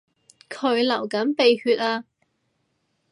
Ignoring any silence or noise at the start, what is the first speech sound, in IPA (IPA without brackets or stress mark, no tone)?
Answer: kʰ